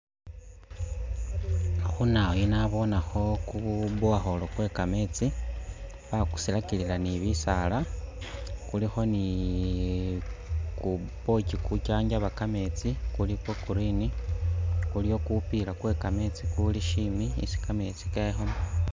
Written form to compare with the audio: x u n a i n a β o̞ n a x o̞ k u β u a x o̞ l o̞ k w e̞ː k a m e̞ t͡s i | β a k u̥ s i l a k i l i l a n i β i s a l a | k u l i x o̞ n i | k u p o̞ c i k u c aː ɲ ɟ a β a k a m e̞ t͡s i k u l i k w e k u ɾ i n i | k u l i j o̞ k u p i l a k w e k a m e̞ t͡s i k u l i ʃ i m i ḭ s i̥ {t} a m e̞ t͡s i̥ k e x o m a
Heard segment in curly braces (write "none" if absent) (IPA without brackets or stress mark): k